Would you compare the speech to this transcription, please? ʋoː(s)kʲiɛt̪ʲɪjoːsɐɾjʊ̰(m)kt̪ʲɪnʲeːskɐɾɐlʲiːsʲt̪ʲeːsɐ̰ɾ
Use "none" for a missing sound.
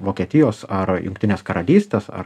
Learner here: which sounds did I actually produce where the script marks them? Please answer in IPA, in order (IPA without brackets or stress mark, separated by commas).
none, ŋ